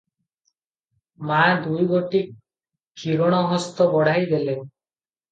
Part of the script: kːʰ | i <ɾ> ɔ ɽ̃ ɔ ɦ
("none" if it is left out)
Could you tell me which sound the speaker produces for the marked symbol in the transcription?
ɾ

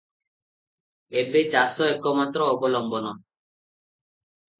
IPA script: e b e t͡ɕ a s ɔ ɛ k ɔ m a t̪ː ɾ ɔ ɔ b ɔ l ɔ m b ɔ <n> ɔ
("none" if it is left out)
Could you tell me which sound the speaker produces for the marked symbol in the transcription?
n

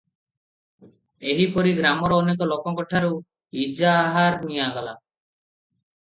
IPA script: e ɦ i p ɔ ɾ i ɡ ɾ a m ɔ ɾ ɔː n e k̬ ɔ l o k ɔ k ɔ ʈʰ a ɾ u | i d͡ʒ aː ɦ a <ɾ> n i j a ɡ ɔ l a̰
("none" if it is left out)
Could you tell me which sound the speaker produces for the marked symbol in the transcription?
ɾ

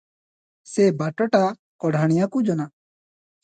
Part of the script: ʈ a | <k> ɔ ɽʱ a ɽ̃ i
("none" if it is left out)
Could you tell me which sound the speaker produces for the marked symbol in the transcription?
k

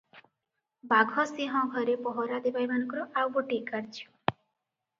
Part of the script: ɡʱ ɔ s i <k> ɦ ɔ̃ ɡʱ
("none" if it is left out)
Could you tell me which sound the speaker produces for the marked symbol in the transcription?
none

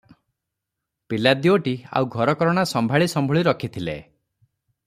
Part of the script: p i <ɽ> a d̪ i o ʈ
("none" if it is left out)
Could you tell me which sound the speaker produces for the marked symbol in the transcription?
l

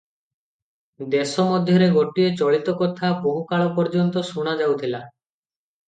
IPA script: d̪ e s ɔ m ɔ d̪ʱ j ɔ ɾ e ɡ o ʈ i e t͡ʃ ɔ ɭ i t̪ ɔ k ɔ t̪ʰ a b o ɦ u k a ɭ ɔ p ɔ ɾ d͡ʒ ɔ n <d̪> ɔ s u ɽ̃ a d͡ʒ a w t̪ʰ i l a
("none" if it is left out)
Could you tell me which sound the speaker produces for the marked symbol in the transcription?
t̪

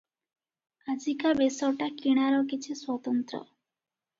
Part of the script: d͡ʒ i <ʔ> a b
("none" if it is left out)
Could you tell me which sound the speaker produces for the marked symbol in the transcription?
k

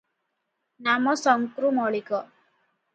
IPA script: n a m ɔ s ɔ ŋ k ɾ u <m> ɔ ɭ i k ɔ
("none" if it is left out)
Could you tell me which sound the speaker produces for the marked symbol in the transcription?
m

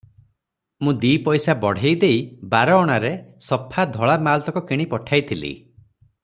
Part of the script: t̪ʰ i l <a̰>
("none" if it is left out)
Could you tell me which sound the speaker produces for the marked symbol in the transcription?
ḭ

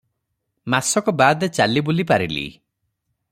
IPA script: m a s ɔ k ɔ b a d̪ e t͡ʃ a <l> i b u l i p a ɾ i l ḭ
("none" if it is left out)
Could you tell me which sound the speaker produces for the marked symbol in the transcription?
l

